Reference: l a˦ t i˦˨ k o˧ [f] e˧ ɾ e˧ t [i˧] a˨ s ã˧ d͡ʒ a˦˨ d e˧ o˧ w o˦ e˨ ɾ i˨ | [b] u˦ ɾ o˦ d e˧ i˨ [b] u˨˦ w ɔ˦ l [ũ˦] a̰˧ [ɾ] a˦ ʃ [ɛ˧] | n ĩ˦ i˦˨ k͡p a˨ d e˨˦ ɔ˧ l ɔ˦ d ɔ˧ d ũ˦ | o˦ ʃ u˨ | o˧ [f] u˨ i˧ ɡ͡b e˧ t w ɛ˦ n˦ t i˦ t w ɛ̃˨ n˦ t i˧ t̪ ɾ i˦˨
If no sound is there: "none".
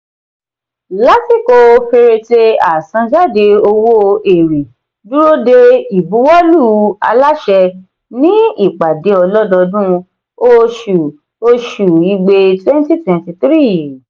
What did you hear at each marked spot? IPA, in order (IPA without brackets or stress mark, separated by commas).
f, e˧, d, b, u˦, l, ɛ˧, ʃ